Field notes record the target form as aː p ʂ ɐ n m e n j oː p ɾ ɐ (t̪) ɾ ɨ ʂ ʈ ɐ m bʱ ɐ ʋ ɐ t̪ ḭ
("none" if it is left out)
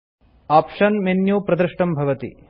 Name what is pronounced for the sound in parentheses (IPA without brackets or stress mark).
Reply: d̪